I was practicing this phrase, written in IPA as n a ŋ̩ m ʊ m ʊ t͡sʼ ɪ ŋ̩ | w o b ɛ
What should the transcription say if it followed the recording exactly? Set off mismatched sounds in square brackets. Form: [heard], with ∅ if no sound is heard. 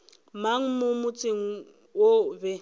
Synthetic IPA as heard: [m] a ŋ̩ m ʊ m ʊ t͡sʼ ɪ ŋ̩ | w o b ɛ